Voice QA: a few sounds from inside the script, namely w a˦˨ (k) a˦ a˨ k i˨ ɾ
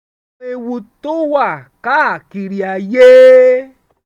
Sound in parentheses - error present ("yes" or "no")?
no